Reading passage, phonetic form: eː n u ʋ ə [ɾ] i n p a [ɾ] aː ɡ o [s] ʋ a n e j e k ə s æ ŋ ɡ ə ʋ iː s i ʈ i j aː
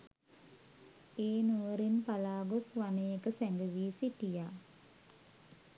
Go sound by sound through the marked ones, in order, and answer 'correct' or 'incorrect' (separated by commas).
correct, incorrect, correct